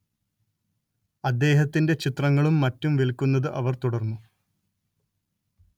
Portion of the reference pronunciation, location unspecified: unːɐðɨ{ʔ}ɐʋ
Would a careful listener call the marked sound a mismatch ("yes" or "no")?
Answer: no